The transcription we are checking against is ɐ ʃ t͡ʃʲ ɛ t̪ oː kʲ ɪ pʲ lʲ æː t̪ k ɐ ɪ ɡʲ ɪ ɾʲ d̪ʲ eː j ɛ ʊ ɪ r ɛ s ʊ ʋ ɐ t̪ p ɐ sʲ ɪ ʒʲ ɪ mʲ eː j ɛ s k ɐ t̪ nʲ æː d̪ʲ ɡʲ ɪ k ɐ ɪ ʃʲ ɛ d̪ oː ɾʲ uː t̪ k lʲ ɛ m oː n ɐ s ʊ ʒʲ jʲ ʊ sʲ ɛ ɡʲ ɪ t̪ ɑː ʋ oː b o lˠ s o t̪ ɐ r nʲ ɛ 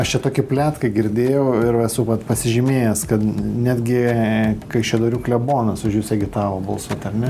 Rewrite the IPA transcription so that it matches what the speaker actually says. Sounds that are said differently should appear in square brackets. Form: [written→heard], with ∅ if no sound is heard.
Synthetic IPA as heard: ɐ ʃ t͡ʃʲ ɛ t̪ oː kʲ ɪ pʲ lʲ æː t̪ k ɐ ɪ ɡʲ ɪ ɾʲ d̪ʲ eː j ɛ ʊ ɪ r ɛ s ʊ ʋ ɐ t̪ p ɐ sʲ ɪ ʒʲ ɪ mʲ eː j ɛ s k ɐ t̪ nʲ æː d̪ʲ ɡʲ ɪ k ɐ ɪ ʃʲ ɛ d̪ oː ɾʲ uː [t̪→∅] k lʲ ɛ [m→b] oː n ɐ s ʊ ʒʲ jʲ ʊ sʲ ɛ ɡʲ ɪ t̪ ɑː ʋ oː b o lˠ s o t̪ ɐ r nʲ ɛ

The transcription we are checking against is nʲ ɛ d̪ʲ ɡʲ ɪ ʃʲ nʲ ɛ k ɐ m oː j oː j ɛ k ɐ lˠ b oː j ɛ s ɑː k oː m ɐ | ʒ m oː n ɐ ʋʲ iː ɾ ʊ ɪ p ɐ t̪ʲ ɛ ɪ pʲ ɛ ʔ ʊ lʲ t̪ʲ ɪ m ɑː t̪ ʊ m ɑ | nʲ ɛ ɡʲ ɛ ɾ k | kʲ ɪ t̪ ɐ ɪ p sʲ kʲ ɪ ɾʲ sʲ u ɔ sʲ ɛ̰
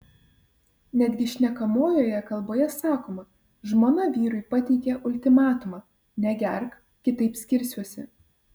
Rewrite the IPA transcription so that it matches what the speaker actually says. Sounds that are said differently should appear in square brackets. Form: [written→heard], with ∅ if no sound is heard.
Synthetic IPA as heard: nʲ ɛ d̪ʲ ɡʲ ɪ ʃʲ nʲ ɛ k ɐ m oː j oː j ɛ k ɐ lˠ b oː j ɛ s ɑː k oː m ɐ | ʒ m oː n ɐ ʋʲ iː ɾ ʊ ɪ p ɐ t̪ʲ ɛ ɪ [pʲ→kʲ] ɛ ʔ ʊ lʲ t̪ʲ ɪ m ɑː t̪ ʊ m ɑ | nʲ ɛ ɡʲ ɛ ɾ k | kʲ ɪ t̪ ɐ ɪ p sʲ kʲ ɪ ɾʲ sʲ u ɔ sʲ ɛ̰

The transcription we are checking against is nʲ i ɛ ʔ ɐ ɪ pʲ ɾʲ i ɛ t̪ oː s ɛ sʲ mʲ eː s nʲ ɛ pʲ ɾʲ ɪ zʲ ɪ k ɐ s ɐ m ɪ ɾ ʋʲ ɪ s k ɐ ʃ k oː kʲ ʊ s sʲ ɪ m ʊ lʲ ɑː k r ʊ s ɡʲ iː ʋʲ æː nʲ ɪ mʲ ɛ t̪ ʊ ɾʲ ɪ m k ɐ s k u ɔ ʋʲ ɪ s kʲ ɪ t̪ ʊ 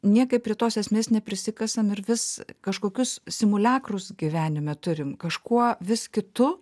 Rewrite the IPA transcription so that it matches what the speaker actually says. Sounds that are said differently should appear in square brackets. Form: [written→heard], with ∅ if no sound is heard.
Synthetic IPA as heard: nʲ i ɛ [ʔ→k] ɐ ɪ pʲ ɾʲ i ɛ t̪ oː s ɛ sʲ mʲ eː s nʲ ɛ pʲ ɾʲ ɪ [zʲ→sʲ] ɪ k ɐ s ɐ m ɪ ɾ ʋʲ ɪ s k ɐ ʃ k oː kʲ ʊ s sʲ ɪ m ʊ lʲ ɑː k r ʊ s ɡʲ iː ʋʲ æː nʲ ɪ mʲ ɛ t̪ ʊ ɾʲ ɪ m k ɐ [s→ʃ] k u ɔ ʋʲ ɪ s kʲ ɪ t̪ ʊ

